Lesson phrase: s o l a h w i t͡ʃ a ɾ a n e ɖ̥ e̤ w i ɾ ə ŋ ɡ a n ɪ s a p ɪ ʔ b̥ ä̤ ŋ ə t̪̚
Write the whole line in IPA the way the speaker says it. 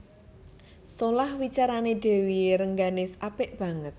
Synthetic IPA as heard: s o l a h w i t͡ʃ a ɾ a n e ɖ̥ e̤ w i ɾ ə ŋ ɡ a n ɪ s a p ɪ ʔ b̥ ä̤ ŋ ə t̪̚